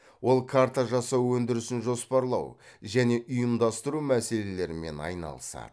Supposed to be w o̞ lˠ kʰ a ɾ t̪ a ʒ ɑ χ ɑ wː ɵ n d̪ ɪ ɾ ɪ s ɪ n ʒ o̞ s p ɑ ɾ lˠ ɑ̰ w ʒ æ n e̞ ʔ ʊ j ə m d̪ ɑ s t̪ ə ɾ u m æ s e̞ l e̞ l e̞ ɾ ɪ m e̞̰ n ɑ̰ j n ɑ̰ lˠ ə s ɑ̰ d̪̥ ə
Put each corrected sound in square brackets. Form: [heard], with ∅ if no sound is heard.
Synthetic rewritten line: w o̞ lˠ kʰ a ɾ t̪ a ʒ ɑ [s] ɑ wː ɵ n d̪ ɪ ɾ ɪ s ɪ n ʒ o̞ s p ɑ ɾ lˠ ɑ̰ w ʒ æ n e̞ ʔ ʊ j ə m d̪ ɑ s t̪ ə ɾ u m æ s e̞ l e̞ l e̞ ɾ ɪ m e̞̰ n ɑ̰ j n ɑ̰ lˠ ə s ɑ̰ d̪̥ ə

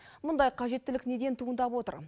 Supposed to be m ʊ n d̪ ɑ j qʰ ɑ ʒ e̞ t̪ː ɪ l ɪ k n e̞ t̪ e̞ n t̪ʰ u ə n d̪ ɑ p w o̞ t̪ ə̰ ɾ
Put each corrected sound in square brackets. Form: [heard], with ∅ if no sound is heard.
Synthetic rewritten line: m ʊ n d̪ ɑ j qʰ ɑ ʒ e̞ t̪ː ɪ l ɪ k n e̞ [d̪] e̞ n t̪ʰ u ə n d̪ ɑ p w o̞ t̪ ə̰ ɾ

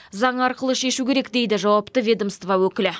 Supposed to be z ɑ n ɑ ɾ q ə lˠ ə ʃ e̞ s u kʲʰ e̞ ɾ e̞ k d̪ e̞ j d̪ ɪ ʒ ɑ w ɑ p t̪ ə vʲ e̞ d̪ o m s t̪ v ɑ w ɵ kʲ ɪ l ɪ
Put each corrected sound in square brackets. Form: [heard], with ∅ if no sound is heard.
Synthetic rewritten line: z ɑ [ɴ] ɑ ɾ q ə lˠ ə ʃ e̞ [ʃ] u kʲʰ e̞ ɾ e̞ k d̪ e̞ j d̪ ɪ ʒ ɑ w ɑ p t̪ ə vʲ e̞ d̪ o m s t̪ v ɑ w ɵ kʲ ɪ l ɪ

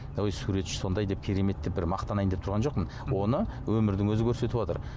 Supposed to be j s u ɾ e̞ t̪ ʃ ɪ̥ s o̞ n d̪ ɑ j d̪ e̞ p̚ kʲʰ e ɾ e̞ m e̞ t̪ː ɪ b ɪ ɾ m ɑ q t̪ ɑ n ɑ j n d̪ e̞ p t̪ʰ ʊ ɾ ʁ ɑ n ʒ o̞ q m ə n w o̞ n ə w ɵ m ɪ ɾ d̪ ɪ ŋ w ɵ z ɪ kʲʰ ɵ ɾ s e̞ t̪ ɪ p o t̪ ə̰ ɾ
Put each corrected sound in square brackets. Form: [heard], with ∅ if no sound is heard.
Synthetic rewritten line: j s u ɾ e̞ t̪ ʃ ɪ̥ s o̞ n d̪ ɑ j d̪ e̞ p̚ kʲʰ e ɾ e̞ m e̞ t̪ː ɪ b ɪ ɾ m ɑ q t̪ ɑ n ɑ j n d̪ e̞ p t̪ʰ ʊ ɾ ʁ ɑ n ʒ o̞ q m ə n w o̞ n ə w ɵ m ɪ ɾ d̪ ɪ ŋ w ɵ z ɪ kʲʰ ɵ ɾ s e̞ t̪ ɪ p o t̪ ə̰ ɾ

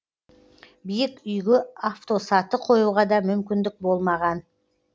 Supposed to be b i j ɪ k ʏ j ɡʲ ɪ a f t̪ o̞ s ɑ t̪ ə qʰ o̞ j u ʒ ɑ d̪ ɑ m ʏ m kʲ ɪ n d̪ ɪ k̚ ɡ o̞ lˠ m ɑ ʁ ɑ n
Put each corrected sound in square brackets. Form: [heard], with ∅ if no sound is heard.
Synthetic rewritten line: b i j ɪ k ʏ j ɡʲ ɪ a f t̪ o̞ s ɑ t̪ ə qʰ o̞ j u [ʁ] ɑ d̪ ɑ m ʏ m kʲ ɪ n d̪ ɪ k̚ [b] o̞ lˠ m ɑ ʁ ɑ n

